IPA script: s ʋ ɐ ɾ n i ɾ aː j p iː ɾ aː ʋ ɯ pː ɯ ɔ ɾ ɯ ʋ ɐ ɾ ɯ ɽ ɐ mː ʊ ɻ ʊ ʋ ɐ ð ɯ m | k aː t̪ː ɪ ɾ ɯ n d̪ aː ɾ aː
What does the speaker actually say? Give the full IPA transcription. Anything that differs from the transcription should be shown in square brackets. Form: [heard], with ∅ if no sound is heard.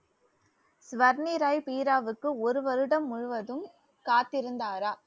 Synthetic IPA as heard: s ʋ ɐ ɾ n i ɾ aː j p iː ɾ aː ʋ ɯ [kː] ɯ ɔ ɾ ɯ ʋ ɐ ɾ ɯ ɽ ɐ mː ʊ ɻ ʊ ʋ ɐ ð ɯ m | k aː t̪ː ɪ ɾ ɯ n d̪ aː ɾ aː